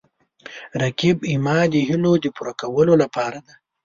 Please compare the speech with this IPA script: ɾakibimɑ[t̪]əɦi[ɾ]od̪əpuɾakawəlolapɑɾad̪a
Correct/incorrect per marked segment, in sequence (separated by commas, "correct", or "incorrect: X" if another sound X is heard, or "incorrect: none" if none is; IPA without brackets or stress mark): incorrect: d̪, incorrect: l